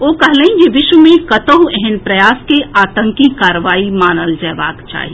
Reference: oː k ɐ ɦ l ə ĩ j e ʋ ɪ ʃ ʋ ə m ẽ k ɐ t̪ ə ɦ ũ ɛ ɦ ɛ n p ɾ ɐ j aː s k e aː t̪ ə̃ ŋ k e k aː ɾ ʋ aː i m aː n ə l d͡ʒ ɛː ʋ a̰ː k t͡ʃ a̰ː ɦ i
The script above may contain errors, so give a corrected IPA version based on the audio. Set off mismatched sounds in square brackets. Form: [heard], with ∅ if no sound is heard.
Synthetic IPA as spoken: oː k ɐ ɦ l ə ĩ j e ʋ ɪ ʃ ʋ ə m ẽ k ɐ t̪ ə ɦ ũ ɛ ɦ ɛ n p ɾ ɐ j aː s k e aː t̪ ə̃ ŋ k [i] k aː ɾ ʋ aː i m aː n ə l d͡ʒ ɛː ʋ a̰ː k t͡ʃ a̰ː ɦ i